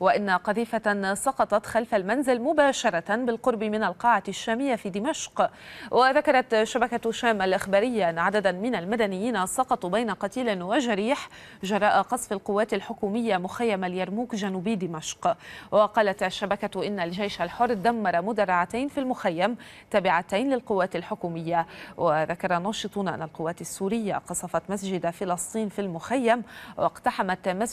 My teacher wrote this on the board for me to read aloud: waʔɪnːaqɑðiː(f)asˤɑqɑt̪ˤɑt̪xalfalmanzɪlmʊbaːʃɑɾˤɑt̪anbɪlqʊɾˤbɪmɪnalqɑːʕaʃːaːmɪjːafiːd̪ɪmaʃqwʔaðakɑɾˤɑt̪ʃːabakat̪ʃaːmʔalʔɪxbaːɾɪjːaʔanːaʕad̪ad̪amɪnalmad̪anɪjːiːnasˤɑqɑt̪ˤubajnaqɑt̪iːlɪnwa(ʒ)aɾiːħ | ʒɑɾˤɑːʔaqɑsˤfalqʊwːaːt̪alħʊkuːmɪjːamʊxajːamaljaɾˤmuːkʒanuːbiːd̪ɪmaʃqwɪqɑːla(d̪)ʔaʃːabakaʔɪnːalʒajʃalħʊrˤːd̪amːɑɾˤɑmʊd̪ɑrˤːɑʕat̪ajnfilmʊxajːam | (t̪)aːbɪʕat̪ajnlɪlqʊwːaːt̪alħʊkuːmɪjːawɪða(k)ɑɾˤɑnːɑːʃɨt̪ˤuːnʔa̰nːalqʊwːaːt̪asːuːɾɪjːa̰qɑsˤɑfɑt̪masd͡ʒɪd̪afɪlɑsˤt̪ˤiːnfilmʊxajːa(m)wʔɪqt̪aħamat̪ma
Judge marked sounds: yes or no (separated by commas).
yes, yes, no, yes, yes, yes